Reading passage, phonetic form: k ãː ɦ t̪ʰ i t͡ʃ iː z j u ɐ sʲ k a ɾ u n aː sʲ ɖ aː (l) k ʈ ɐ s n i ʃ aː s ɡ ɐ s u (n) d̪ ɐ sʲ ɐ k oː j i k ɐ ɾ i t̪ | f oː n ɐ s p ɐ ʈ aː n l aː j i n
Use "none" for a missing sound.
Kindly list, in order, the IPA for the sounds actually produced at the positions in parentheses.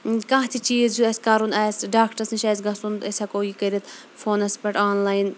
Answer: none, n

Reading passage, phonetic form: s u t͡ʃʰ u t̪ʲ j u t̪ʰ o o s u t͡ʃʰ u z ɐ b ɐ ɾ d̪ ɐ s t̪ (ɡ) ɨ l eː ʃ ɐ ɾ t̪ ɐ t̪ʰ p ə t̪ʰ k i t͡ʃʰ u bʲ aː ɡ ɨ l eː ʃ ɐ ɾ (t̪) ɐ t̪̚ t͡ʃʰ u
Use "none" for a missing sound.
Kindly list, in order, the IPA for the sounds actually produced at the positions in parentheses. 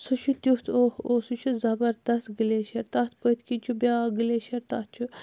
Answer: ɡ, t̪

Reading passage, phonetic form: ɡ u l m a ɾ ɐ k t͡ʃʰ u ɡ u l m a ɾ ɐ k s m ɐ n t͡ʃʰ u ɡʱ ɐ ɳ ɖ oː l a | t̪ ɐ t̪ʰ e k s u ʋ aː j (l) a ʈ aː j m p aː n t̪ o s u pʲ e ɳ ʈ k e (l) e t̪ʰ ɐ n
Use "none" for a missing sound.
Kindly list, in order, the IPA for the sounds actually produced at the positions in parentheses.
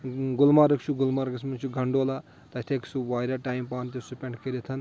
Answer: ɾ, ɾ

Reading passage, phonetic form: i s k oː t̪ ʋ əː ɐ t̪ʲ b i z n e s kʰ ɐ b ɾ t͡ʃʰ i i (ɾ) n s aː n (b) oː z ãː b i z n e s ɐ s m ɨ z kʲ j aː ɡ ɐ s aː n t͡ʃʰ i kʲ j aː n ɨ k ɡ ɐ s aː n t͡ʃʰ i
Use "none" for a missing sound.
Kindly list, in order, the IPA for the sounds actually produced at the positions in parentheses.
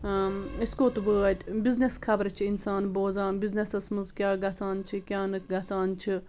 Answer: none, b

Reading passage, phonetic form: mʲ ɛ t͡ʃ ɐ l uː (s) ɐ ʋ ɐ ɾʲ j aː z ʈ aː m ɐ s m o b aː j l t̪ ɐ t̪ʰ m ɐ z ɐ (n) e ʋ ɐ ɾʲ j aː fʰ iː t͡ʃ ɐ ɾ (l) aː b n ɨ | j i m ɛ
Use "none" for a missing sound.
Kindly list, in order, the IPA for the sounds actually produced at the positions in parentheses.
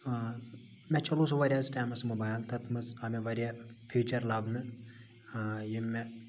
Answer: s, m, l

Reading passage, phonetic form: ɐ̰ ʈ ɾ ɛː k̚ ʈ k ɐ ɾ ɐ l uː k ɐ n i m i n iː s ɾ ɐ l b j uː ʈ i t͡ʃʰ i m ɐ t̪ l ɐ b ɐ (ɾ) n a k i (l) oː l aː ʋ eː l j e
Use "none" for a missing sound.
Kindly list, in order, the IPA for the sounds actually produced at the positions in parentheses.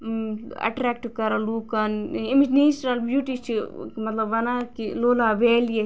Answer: none, l

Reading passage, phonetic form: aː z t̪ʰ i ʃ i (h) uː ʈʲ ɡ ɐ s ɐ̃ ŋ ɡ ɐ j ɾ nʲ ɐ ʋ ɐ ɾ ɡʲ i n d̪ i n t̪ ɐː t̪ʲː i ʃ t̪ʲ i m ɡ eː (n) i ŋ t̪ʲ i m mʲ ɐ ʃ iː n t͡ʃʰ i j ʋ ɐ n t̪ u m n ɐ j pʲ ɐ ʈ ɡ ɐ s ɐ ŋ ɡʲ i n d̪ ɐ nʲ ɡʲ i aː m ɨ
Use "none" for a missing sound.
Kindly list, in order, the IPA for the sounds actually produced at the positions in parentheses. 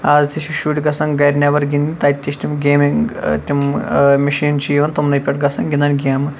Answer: ʃ, m

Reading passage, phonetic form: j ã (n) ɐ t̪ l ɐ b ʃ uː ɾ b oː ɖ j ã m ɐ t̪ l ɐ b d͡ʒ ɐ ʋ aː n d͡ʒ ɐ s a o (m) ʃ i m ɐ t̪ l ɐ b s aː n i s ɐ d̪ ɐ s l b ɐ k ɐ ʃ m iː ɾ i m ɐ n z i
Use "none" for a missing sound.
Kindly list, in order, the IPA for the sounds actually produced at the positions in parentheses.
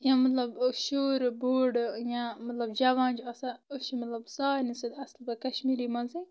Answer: m, none

